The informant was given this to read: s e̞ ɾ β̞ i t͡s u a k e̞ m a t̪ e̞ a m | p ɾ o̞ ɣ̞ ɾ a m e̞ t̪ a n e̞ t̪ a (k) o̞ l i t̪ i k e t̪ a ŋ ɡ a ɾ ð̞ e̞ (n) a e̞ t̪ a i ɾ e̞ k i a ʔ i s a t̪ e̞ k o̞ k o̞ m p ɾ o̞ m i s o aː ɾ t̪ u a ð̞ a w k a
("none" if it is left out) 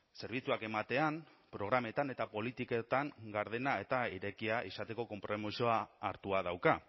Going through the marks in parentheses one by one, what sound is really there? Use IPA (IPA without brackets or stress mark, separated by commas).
p, n